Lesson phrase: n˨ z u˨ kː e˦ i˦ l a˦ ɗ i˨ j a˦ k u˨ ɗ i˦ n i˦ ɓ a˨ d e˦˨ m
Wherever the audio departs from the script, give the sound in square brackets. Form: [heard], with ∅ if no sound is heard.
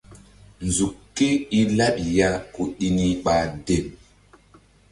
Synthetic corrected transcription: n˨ z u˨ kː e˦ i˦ l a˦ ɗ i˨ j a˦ k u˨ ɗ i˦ n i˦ ɓ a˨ d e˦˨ m